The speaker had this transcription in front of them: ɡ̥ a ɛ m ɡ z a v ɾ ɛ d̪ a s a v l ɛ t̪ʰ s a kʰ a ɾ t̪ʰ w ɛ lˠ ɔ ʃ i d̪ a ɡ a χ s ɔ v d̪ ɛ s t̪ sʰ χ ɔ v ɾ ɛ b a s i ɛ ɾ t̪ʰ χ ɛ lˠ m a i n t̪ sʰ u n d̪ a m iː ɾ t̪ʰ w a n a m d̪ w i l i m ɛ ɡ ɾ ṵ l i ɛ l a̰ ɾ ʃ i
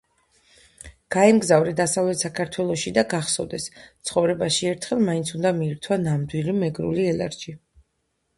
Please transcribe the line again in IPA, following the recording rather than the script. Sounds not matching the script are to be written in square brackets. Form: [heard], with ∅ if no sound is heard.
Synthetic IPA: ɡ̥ a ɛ m ɡ z a v ɾ ɛ d̪ a s a v l ɛ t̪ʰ s a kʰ a ɾ t̪ʰ w ɛ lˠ ɔ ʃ i d̪ a ɡ a χ s ɔ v d̪ ɛ s t̪ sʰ χ ɔ v ɾ ɛ b a [ʃ] i ɛ ɾ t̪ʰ χ ɛ lˠ m a i n t̪ sʰ u n d̪ a m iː ɾ t̪ʰ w a n a m d̪ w i l i m ɛ ɡ ɾ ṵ l i ɛ l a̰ ɾ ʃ i